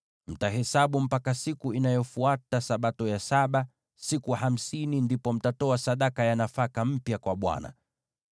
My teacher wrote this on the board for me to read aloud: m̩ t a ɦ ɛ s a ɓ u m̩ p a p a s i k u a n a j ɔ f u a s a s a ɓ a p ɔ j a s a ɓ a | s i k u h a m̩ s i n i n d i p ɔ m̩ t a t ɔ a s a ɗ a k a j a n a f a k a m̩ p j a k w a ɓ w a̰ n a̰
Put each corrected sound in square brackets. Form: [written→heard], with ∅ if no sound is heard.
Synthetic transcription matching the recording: m̩ t a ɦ ɛ s a ɓ u m̩ p a [p→k] a s i k u [a→i] n a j ɔ f u a [s→t] a s a ɓ a [p→t] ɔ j a s a ɓ a | s i k u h a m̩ s i n i n d i p ɔ m̩ t a t ɔ a s a ɗ a k a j a n a f a k a m̩ p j a k w a ɓ w a̰ n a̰

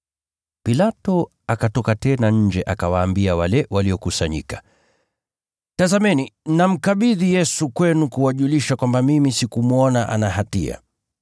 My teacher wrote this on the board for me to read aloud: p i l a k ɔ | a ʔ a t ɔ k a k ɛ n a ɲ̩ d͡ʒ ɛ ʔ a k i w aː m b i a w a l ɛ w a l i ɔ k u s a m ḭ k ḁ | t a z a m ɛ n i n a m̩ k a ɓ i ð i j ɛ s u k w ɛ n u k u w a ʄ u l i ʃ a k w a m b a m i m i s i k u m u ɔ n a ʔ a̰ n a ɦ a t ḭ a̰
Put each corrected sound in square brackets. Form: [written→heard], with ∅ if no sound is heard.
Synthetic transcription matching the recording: p i l a [k→t] ɔ | a [ʔ→k] a t ɔ k a [k→t] ɛ n a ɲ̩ d͡ʒ ɛ ʔ a k [i→a] w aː m b i a w a l ɛ w a l i ɔ k u s a [m→ɲ] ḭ k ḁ | t a z a m ɛ n i n a m̩ k a ɓ i ð i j ɛ s u k w ɛ n u k u w a ʄ u l i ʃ a k w a m b a m i m i s i k u m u ɔ n a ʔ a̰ n a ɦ a t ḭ a̰

